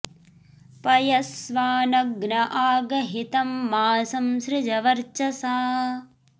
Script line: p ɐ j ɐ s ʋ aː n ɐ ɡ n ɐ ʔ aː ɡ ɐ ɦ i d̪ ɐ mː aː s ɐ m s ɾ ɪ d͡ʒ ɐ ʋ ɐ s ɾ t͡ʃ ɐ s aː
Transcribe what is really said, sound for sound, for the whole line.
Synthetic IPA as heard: p ɐ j ɐ s ʋ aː n ɐ ɡ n ɐ ʔ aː ɡ ɐ ɦ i t̪ ɐ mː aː s ɐ m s ɾ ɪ d͡ʒ ɐ ʋ ɐ ɾ t͡ʃ ɐ s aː